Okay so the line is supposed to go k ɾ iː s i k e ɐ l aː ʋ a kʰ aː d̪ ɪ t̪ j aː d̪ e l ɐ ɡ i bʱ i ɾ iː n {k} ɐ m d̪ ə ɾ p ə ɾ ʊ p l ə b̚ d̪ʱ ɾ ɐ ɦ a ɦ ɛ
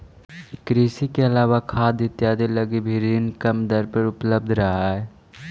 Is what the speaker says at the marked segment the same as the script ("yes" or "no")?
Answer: yes